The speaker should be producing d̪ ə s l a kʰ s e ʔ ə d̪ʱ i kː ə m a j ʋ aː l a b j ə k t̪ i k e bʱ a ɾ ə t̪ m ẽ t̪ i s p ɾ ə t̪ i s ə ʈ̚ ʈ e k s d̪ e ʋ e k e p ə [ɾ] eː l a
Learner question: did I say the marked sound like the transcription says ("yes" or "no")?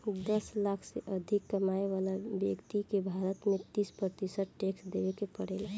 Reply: no